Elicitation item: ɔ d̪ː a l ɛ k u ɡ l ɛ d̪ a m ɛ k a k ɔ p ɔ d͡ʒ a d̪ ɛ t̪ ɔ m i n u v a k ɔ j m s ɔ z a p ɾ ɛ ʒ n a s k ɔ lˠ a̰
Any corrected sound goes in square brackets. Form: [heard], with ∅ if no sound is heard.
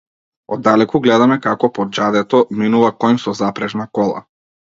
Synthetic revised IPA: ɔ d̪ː a l ɛ k u ɡ l ɛ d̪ a m ɛ k a k ɔ p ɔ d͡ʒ a d̪ ɛ t̪ ɔ m i n u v a k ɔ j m s ɔ z a p ɾ ɛ ʒ n a [∅] k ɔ lˠ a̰